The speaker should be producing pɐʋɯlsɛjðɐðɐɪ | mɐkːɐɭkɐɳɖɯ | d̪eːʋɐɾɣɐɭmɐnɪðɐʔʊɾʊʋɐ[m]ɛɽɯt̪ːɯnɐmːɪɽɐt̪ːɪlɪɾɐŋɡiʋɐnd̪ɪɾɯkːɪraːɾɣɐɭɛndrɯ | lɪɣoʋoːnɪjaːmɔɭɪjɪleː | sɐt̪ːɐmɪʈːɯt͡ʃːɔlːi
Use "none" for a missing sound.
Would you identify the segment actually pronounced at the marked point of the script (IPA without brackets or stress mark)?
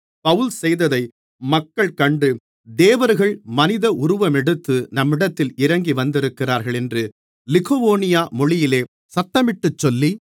m